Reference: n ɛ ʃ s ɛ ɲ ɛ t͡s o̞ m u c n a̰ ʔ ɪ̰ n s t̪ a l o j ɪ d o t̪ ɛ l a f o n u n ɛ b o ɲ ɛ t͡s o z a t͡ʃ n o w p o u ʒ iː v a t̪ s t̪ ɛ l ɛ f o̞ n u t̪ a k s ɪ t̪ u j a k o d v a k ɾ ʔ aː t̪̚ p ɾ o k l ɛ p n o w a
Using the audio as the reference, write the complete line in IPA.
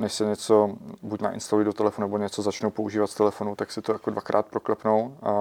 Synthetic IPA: n ɛ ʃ s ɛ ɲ ɛ t͡s o̞ b u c n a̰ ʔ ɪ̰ n s t̪ a l u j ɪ d o t̪ ɛ l ɛ f o n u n ɛ b o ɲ ɛ t͡s o z a t͡ʃ n o w p o u ʒ iː v a t̪ s t̪ ɛ l ɛ f o̞ n u t̪ a k s ɪ t̪ o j a k o d v a k ɾ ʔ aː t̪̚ p ɾ o k l ɛ p n o w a